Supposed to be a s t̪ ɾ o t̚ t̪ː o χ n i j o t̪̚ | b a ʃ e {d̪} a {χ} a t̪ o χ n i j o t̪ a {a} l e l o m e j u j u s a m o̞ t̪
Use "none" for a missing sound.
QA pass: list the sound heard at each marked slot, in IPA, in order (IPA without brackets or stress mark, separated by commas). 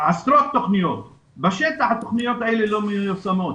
t̪, ħ, e